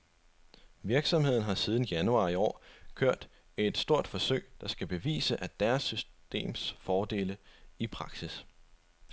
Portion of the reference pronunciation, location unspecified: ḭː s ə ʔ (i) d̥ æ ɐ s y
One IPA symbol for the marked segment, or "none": æ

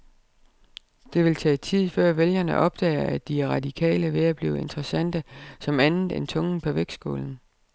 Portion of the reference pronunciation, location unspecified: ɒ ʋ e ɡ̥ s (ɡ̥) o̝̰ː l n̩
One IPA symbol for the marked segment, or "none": ɡ̥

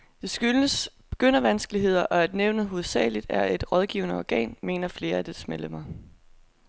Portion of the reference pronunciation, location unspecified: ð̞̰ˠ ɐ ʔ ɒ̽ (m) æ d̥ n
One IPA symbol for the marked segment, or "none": none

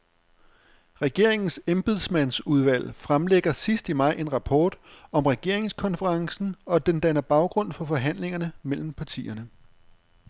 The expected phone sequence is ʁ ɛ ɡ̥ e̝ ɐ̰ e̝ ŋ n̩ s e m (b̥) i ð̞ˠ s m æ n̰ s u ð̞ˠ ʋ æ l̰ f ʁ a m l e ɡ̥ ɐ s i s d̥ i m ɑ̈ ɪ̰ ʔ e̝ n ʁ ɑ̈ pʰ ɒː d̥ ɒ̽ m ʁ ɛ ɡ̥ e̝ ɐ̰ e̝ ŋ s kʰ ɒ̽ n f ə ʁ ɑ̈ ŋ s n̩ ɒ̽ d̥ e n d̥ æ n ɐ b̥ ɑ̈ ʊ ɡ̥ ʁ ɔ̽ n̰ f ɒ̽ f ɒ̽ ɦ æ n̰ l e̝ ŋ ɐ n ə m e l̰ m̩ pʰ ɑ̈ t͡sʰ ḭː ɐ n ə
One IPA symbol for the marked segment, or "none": b̥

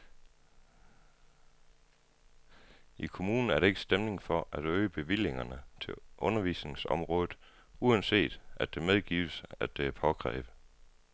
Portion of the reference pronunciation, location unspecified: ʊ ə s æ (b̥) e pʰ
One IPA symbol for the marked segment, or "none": d̥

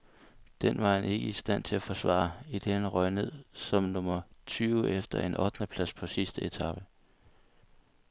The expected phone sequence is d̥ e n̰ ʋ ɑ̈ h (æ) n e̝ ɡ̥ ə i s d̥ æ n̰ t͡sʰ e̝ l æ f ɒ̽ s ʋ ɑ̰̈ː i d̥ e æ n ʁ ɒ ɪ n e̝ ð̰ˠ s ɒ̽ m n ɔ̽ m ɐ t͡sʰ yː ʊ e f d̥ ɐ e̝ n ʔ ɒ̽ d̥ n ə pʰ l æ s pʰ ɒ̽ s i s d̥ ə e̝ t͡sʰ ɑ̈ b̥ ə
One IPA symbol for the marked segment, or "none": æ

